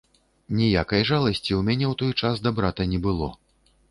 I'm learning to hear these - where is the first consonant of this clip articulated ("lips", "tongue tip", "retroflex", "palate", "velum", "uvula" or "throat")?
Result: tongue tip